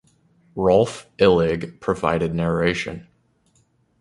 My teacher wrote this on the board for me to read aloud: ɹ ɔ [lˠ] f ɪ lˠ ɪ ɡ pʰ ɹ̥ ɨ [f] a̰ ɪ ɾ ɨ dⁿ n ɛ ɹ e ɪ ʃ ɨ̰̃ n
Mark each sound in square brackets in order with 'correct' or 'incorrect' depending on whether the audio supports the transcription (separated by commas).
correct, incorrect